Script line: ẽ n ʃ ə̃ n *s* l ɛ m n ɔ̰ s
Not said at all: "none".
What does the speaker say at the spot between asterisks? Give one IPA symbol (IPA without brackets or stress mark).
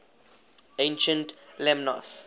t